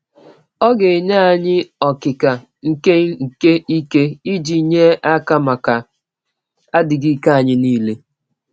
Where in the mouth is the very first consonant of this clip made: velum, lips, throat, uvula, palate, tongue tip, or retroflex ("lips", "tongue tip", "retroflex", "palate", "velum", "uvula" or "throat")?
velum